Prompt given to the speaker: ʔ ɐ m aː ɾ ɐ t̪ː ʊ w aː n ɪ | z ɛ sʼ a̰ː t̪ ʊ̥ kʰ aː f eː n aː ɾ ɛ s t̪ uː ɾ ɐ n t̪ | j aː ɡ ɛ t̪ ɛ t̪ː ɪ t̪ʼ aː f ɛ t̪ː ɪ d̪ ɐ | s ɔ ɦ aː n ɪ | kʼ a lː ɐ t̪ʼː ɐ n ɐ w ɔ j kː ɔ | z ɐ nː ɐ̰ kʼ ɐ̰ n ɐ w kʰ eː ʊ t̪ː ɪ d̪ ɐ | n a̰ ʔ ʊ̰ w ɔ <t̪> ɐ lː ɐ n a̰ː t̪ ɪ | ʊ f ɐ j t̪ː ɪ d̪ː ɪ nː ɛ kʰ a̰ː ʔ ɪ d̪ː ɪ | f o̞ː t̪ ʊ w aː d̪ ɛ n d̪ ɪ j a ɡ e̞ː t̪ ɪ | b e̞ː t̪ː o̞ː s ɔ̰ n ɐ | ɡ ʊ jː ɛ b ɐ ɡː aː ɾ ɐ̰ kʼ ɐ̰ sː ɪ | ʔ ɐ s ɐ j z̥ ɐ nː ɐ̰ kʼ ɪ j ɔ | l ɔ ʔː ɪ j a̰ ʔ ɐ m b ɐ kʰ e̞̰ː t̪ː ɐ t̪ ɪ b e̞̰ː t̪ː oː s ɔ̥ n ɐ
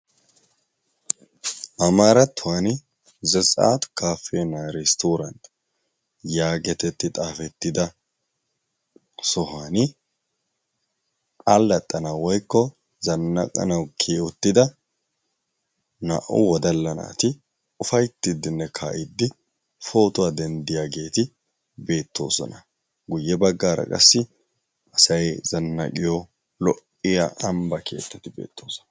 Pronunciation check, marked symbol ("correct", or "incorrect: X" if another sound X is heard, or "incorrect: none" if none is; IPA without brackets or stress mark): incorrect: d̪